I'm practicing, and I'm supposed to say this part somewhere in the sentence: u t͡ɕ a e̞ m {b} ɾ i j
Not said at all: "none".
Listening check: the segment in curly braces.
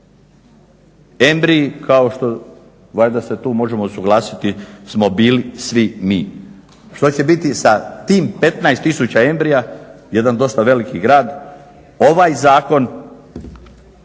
b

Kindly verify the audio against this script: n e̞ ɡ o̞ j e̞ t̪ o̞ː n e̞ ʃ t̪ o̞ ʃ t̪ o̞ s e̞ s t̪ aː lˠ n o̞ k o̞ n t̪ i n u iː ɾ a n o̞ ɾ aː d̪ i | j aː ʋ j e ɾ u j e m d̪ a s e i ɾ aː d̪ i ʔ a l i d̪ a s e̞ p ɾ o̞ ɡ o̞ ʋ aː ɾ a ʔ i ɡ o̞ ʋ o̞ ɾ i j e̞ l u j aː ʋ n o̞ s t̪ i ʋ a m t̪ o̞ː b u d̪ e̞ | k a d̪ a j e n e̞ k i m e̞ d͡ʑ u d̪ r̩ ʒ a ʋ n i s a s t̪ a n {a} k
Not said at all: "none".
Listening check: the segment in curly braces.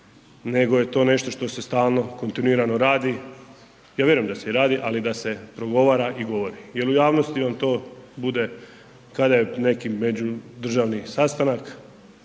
a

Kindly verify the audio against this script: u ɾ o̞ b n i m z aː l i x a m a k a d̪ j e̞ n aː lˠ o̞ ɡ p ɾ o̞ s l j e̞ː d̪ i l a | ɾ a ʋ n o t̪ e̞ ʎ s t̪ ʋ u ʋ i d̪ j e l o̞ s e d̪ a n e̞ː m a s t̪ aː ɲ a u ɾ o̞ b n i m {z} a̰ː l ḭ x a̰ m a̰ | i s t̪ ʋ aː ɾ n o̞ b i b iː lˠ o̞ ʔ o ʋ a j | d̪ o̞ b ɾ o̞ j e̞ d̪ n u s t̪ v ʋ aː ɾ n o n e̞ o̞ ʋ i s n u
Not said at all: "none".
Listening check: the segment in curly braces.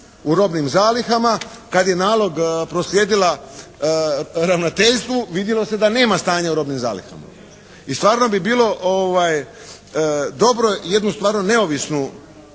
z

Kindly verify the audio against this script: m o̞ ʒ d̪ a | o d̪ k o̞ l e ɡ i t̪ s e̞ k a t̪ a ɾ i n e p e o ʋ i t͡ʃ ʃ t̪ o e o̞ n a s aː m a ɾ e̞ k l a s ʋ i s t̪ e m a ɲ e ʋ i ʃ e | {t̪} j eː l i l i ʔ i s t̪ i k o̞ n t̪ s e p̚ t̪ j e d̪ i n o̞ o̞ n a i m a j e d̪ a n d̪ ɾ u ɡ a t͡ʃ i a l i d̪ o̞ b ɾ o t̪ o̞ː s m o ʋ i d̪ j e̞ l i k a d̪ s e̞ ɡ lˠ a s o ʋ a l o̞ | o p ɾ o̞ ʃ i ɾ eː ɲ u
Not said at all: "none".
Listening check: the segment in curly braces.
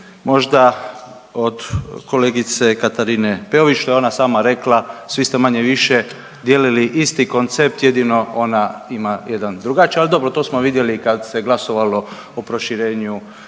d̪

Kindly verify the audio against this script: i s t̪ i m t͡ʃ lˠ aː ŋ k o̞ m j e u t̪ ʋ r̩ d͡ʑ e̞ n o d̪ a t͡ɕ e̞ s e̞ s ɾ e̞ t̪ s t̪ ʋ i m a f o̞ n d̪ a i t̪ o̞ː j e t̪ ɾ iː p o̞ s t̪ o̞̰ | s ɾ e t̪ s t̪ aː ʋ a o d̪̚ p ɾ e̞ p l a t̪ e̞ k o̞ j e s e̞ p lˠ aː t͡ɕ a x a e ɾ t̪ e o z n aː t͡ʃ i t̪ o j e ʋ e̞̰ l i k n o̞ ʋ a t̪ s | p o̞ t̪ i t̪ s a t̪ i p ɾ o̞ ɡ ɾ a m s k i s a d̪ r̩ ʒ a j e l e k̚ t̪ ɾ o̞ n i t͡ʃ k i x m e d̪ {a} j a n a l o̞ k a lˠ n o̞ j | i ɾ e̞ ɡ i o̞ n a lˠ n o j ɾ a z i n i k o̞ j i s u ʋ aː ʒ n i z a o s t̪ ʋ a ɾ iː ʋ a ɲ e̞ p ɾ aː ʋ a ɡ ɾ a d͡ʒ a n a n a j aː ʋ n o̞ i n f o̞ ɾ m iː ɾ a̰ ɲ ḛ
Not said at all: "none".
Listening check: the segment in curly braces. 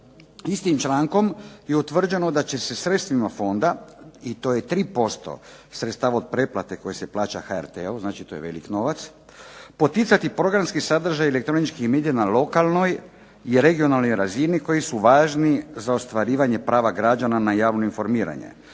i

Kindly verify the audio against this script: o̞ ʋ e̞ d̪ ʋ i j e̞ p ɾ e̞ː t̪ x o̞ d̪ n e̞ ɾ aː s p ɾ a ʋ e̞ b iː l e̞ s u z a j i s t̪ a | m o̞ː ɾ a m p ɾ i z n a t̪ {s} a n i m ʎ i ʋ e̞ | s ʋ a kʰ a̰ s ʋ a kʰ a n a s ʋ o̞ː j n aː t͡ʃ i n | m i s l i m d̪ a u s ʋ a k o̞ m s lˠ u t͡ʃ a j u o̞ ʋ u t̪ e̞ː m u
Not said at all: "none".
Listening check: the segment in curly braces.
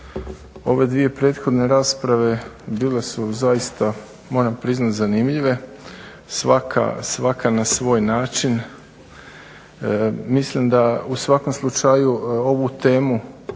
z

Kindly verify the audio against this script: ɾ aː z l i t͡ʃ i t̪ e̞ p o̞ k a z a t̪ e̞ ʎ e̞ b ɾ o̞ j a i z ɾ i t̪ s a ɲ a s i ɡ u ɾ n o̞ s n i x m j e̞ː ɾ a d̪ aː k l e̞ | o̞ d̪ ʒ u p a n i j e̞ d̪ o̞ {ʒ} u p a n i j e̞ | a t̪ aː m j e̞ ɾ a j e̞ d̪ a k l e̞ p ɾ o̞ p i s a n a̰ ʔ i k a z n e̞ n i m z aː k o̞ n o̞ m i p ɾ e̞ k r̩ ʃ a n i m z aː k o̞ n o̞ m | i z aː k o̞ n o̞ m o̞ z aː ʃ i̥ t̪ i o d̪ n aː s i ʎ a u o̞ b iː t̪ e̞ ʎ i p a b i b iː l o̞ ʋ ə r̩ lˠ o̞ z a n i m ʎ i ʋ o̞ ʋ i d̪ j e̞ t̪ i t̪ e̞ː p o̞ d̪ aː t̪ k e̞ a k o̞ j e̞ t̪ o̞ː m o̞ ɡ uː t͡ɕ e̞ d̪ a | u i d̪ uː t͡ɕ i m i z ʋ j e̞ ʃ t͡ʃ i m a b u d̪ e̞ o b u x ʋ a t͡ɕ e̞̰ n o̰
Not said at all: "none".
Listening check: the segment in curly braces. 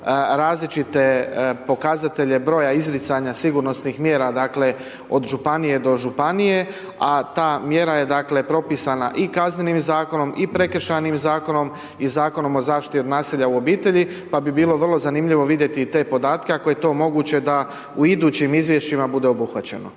ʒ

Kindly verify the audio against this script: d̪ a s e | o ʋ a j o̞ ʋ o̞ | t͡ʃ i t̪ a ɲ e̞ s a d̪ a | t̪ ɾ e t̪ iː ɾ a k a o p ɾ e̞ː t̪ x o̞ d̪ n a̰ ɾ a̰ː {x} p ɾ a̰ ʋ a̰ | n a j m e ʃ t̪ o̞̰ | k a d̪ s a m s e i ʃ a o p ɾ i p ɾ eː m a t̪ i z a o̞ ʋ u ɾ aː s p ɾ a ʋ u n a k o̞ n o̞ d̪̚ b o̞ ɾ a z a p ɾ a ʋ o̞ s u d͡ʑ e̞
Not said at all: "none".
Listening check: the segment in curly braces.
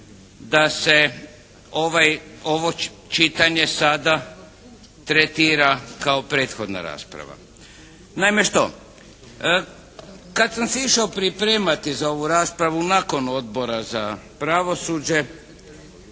s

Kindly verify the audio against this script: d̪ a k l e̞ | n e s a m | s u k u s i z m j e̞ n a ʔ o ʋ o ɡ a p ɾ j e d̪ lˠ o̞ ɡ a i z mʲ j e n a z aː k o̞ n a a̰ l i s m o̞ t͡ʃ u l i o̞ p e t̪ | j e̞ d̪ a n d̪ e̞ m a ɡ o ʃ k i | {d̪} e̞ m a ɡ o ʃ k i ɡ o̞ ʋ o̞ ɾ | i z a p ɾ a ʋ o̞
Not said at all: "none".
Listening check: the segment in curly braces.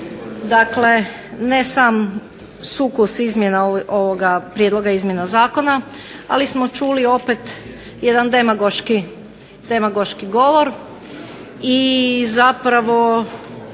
d̪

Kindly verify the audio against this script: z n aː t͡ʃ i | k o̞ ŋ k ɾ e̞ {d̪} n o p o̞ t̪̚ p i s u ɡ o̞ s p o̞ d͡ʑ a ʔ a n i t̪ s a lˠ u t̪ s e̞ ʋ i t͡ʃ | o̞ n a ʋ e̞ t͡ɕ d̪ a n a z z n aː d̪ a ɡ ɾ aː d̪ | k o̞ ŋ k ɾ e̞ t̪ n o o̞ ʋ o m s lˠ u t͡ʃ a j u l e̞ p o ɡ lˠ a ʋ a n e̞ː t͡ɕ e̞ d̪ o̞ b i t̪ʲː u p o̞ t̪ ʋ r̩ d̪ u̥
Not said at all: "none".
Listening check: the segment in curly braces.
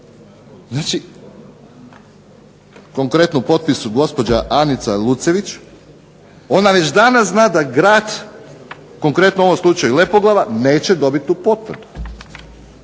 t̪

